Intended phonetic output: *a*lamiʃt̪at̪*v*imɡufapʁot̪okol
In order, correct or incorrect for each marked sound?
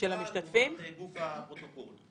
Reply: incorrect, incorrect

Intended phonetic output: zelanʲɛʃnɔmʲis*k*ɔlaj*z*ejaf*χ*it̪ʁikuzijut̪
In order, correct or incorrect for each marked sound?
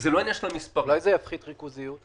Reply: incorrect, correct, correct

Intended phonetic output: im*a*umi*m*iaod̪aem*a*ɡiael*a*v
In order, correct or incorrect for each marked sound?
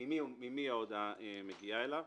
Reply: incorrect, correct, incorrect, correct

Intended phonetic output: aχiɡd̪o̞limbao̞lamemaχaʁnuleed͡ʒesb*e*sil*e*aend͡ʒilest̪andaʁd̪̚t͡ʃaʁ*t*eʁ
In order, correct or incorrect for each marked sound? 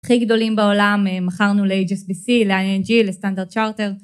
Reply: incorrect, correct, correct

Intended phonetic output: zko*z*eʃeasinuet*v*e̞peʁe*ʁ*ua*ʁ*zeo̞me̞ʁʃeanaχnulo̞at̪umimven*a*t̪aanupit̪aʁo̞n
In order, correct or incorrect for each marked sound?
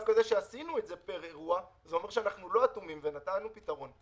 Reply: correct, incorrect, correct, incorrect, correct

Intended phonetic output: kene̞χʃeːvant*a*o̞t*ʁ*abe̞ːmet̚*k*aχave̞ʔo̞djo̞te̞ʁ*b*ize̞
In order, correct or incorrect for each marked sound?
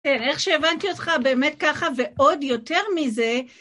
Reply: incorrect, incorrect, correct, incorrect

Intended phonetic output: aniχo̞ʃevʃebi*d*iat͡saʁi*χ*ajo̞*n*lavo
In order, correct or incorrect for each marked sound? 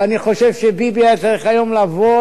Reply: incorrect, correct, incorrect

